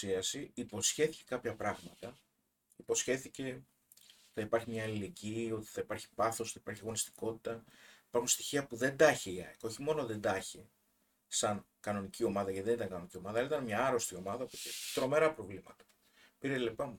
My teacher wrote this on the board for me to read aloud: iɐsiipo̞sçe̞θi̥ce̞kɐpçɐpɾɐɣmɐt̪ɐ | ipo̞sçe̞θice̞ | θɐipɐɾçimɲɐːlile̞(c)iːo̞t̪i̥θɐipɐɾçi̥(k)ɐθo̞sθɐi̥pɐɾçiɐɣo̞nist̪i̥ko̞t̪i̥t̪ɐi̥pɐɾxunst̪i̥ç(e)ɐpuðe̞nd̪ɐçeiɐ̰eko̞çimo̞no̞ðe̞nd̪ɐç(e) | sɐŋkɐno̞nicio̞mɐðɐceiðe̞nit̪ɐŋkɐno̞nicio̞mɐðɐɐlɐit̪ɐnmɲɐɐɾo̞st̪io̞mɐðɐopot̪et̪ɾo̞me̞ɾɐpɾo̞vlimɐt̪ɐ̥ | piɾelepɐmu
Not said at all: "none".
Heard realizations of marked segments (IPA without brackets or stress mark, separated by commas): ɟ, p, i, e